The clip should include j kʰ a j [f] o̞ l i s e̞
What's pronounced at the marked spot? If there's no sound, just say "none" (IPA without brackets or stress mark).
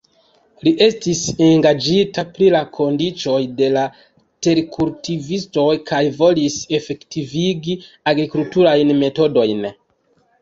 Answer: v